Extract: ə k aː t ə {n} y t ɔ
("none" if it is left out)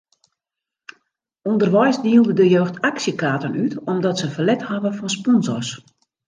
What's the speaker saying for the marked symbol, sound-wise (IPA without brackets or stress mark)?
n